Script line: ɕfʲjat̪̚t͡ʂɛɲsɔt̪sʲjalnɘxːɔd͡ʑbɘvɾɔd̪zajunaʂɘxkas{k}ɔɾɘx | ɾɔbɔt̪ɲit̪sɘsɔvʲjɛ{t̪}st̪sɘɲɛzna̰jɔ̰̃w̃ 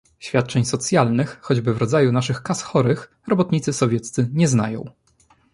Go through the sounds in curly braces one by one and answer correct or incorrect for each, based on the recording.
incorrect: x, correct

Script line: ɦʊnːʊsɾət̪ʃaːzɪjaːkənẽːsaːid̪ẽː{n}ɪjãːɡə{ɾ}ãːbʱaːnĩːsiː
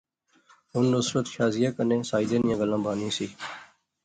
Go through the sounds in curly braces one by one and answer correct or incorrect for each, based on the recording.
correct, incorrect: l

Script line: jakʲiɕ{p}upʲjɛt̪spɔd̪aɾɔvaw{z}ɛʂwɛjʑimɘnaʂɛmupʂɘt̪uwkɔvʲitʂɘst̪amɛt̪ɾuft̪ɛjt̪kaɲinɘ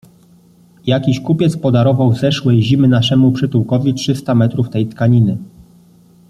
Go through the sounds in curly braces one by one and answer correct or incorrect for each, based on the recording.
incorrect: k, correct

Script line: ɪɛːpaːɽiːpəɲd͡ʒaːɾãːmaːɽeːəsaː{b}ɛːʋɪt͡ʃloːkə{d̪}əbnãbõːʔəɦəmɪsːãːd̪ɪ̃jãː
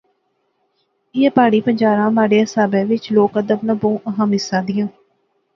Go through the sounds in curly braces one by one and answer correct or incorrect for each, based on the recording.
correct, correct

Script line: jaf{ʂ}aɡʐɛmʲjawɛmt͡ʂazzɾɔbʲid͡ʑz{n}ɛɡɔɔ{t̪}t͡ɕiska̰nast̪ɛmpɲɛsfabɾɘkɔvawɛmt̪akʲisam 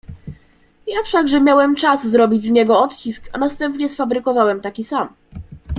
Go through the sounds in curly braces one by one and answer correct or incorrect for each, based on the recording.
correct, incorrect: ɲ, correct

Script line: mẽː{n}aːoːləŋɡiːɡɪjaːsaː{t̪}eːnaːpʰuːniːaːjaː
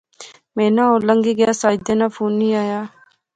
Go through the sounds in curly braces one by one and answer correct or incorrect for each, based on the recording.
correct, incorrect: d̪

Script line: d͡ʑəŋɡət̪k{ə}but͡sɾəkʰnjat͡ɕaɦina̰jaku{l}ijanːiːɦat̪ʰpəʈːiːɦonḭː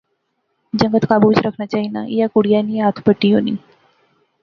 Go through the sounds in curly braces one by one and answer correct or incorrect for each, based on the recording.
incorrect: a, incorrect: ɽ

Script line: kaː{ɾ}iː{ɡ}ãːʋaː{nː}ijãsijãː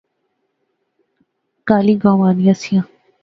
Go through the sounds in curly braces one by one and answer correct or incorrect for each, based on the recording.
incorrect: l, correct, incorrect: n

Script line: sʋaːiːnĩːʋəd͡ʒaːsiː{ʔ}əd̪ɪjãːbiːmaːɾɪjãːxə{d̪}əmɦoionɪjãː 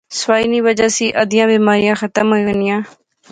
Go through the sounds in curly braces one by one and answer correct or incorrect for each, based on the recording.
correct, incorrect: t̪

